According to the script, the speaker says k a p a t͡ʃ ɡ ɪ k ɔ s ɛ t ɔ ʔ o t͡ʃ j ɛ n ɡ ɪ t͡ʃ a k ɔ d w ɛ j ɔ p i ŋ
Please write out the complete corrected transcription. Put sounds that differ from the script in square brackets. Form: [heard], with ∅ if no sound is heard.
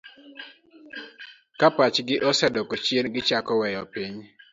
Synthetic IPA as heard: k a p a t͡ʃ ɡ ɪ [ʔ] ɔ s ɛ [d] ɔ [k] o t͡ʃ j [e] n ɡ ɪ t͡ʃ a k ɔ [∅] w ɛ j ɔ p i [ɲ]